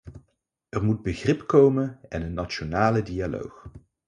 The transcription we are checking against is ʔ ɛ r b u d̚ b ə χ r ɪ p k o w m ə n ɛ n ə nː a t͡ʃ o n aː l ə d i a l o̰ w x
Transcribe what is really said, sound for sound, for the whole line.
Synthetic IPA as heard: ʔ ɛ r m u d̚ b ə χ r ɪ p k o w m ə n ɛ n ə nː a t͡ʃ o n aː l ə d i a l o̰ w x